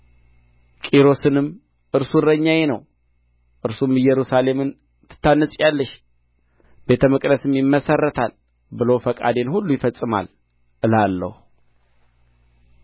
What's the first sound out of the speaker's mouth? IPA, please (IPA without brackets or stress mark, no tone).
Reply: kʼ